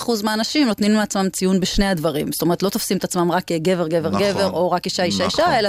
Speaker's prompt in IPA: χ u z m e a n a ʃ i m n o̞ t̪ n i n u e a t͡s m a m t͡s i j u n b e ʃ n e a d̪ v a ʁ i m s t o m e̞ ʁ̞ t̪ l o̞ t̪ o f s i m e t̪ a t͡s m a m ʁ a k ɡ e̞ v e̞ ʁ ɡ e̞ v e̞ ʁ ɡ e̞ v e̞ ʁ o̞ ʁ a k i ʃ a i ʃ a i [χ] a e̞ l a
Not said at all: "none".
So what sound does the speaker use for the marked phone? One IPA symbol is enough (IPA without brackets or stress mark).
ʃ